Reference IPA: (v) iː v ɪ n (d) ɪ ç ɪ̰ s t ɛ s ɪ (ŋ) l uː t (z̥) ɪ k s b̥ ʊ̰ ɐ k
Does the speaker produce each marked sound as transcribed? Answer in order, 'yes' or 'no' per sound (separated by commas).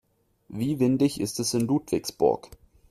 yes, yes, no, no